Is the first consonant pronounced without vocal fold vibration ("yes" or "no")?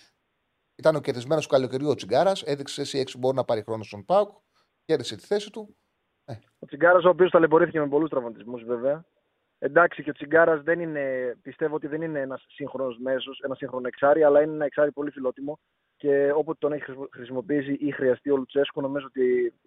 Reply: yes